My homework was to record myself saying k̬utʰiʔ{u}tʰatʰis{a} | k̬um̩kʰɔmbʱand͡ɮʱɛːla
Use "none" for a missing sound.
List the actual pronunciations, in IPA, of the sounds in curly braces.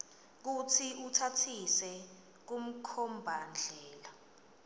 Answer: u, ɛ

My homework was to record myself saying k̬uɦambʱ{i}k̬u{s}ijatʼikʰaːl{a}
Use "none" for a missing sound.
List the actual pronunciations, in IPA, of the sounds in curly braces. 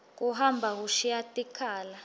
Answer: a, ʃ, a

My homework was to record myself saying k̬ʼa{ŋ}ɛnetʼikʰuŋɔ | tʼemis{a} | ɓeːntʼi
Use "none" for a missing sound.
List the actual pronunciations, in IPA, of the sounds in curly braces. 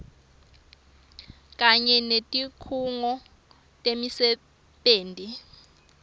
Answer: ɲ, ɛ

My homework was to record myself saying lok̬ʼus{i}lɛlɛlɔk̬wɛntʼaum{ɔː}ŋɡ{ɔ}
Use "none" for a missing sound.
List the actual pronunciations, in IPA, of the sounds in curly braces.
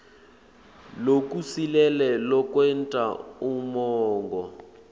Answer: i, ɔː, ɔ

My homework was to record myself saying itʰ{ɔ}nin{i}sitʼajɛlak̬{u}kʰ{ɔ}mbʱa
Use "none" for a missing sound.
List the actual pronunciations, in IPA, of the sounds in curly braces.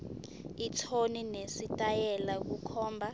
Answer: o, e, u, ɔː

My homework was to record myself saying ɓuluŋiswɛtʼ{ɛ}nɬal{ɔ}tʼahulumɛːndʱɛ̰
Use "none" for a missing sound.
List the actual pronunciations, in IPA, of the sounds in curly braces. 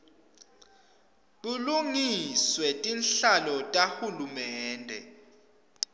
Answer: i, ɔ

